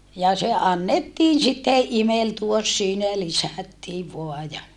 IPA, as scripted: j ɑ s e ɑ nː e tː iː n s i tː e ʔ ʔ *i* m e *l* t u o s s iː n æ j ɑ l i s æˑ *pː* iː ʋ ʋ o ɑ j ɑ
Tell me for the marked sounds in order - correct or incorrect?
correct, correct, incorrect

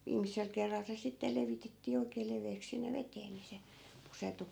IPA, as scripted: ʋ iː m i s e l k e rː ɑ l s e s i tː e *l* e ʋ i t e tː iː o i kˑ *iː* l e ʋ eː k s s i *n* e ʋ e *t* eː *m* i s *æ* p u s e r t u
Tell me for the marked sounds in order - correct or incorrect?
correct, incorrect, incorrect, correct, incorrect, incorrect

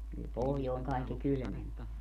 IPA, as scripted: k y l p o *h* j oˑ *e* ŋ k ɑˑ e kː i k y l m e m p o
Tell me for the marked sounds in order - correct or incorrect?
correct, correct

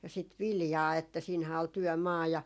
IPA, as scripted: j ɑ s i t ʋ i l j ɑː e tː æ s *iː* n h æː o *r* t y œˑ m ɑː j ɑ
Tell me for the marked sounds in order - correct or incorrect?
correct, incorrect

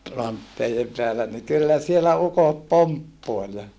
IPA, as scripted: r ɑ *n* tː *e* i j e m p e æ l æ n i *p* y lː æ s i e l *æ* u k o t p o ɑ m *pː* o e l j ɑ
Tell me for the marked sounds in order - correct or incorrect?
correct, correct, incorrect, correct, correct

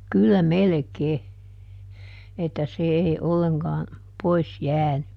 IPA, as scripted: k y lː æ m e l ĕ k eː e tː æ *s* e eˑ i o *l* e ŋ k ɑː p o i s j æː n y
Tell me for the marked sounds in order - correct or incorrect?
correct, incorrect

